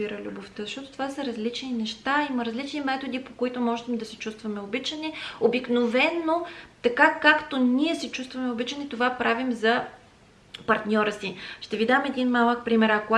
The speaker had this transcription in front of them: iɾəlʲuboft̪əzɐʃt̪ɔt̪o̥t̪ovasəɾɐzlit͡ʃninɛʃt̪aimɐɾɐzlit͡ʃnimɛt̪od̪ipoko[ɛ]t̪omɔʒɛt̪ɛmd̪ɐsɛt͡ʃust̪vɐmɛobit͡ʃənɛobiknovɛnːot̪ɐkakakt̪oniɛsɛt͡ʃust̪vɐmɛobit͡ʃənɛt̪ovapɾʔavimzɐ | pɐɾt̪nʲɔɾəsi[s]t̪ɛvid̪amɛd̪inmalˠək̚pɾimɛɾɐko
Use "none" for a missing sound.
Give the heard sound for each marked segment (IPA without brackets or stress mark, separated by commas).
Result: i, ʃ